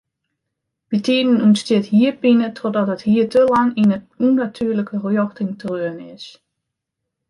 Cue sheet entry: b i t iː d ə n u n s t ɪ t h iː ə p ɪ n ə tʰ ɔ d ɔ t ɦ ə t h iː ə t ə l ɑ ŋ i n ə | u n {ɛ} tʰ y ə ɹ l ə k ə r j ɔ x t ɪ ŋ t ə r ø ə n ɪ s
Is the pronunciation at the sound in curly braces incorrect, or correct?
incorrect